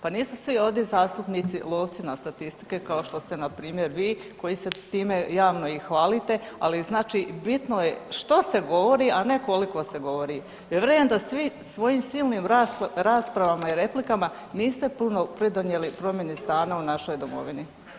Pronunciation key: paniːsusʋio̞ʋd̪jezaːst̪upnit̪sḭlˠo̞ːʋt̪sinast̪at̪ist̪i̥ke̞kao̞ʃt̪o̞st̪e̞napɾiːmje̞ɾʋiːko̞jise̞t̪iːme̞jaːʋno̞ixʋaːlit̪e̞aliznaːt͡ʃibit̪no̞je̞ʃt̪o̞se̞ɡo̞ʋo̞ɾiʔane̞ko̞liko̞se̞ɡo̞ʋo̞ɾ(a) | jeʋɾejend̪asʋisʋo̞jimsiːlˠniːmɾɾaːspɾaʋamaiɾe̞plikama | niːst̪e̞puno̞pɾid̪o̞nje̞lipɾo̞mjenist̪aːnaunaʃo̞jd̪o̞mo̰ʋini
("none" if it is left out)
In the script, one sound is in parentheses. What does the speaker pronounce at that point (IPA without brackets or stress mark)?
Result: i